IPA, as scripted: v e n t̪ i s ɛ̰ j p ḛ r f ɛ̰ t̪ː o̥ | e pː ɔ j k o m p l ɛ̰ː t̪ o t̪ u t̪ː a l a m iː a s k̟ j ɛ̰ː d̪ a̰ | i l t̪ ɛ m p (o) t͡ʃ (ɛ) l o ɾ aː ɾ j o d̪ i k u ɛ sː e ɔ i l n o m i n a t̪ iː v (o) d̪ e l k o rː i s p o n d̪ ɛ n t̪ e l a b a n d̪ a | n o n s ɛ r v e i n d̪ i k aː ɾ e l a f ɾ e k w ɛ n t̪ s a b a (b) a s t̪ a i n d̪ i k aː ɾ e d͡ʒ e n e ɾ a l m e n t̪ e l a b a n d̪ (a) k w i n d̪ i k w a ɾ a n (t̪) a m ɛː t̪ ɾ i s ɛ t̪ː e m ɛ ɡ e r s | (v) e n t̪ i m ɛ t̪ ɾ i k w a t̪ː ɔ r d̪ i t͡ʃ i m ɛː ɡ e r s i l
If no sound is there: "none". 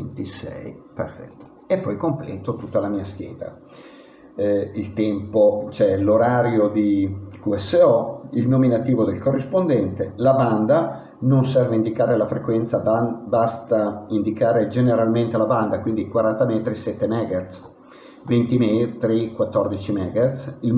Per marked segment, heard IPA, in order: o, ɛ, o, b, a, t̪, v

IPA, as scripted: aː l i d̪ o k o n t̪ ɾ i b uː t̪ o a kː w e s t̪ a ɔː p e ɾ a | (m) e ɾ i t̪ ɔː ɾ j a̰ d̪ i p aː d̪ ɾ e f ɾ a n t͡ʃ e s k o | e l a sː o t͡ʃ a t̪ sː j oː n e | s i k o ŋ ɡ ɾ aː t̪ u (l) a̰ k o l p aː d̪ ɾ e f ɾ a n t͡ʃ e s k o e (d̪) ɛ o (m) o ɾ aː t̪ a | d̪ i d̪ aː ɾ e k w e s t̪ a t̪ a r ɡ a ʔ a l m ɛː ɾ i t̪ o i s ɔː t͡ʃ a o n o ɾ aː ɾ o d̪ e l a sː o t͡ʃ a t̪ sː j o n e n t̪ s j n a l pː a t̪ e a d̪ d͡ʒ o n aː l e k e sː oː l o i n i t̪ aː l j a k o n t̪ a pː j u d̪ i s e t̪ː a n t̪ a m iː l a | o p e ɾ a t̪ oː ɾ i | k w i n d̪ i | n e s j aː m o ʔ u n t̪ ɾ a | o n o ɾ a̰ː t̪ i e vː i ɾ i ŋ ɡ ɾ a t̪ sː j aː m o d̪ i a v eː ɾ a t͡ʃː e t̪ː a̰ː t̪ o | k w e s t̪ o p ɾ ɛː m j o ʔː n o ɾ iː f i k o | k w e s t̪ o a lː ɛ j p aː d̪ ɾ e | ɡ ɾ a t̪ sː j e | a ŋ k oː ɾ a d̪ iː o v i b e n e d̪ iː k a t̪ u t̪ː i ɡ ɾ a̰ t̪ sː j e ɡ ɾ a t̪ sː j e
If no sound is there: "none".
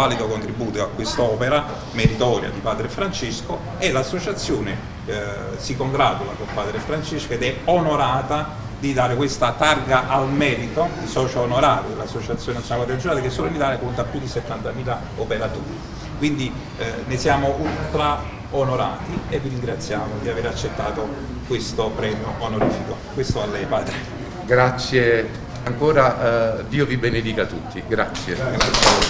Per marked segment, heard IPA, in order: m, l, d̪, n

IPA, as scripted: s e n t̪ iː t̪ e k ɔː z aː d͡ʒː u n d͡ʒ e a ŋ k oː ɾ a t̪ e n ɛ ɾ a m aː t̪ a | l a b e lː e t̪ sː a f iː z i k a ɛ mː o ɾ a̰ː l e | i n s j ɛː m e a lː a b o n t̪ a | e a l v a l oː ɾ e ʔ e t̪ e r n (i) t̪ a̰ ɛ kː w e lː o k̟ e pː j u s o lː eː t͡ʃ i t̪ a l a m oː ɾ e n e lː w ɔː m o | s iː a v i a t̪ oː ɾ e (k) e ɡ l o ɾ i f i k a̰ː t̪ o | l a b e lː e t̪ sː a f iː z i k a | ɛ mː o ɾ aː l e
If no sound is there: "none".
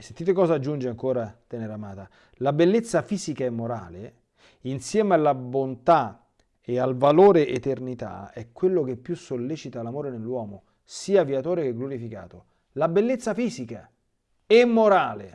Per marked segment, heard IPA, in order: i, k

